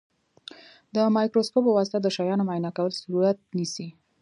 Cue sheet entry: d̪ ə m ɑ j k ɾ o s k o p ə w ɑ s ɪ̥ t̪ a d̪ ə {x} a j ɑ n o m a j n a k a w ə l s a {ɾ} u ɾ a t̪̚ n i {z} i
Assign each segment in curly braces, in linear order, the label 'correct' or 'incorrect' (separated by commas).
incorrect, correct, incorrect